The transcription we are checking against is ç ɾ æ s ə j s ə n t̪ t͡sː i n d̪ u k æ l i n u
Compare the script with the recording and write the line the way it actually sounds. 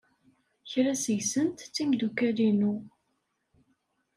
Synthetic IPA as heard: ç ɾ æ s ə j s ə n t̪ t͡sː i m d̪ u k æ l i n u